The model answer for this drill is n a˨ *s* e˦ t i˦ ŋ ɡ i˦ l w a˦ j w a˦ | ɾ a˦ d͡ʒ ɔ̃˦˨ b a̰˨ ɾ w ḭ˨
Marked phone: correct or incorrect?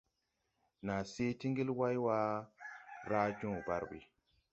correct